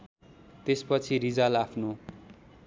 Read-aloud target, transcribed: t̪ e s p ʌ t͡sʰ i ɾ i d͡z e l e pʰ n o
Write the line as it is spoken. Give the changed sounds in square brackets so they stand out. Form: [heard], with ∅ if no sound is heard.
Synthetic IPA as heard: t̪ e s p ʌ t͡sʰ i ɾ i d͡z [a] l [a] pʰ n o

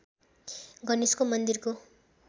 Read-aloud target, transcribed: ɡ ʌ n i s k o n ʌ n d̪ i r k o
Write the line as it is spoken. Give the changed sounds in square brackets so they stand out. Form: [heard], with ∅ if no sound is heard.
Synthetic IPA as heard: ɡ ʌ n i s k o [m] ʌ n d̪ i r k o

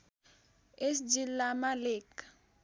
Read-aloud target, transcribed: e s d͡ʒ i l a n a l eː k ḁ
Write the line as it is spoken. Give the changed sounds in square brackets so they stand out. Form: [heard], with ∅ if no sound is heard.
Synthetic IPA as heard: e s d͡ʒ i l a [m] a l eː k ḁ

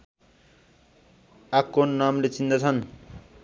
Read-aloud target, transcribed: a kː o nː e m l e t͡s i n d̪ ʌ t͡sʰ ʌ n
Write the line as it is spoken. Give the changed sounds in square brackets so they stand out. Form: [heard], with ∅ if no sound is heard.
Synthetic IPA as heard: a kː o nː [a] m l e t͡s i n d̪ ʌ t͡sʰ ʌ n

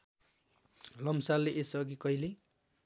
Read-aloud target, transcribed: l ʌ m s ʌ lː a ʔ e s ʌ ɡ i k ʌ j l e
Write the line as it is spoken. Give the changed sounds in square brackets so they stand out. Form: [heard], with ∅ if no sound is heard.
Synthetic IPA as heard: l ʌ m s [a] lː [e] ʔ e s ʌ ɡ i k ʌ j l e

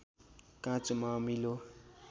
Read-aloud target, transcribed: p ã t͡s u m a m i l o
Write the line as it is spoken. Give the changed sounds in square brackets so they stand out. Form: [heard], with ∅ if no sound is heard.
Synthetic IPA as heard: [k] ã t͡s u m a m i l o

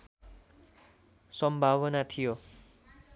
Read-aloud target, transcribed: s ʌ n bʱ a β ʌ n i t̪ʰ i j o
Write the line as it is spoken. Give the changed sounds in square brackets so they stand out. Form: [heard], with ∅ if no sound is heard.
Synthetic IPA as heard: s ʌ [m] bʱ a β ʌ n [a] t̪ʰ i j o

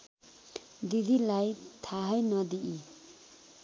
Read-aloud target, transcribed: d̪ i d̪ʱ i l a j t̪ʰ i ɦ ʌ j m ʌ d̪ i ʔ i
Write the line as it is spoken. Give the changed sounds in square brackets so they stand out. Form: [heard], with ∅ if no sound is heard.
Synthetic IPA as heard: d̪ i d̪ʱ i l a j t̪ʰ [a] ɦ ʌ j [n] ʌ d̪ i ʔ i

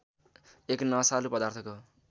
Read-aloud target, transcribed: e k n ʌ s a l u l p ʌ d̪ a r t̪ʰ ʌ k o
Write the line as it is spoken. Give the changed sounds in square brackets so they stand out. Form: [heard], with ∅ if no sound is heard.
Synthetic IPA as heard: e k n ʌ s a l u [∅] p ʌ d̪ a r t̪ʰ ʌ k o

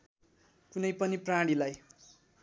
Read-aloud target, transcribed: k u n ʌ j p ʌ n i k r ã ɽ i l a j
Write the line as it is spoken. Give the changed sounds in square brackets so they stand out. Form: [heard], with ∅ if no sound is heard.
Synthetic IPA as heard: k u n ʌ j p ʌ n i [p] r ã ɽ i l a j

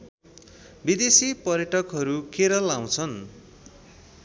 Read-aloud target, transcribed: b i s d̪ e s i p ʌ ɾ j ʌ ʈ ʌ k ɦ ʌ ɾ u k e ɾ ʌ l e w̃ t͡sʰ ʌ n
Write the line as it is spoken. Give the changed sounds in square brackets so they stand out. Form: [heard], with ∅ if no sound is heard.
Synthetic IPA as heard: b i [∅] d̪ e s i p ʌ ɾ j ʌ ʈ ʌ k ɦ ʌ ɾ u k e ɾ ʌ l [a] w̃ t͡sʰ ʌ n

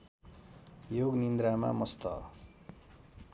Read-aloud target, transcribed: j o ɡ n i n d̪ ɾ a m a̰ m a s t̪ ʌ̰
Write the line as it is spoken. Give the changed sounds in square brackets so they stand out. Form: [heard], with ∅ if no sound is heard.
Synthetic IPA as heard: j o ɡ n i n d̪ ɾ a m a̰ m [ʌ] s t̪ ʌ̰

